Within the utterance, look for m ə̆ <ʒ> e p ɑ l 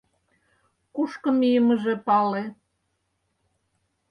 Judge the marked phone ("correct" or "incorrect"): correct